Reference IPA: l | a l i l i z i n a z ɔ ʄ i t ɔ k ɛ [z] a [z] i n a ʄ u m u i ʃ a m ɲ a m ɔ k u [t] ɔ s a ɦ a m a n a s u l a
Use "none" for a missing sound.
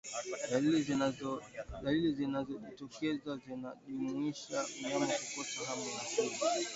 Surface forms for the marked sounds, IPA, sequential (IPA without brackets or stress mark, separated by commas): z, z, k